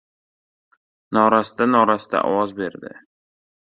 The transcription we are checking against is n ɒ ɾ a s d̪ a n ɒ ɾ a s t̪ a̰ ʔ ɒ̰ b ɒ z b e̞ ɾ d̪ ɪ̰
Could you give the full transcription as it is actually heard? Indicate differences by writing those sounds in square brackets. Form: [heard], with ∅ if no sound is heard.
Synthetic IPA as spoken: n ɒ ɾ a s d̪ a n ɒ ɾ a s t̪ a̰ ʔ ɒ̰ [w] ɒ z b e̞ ɾ d̪ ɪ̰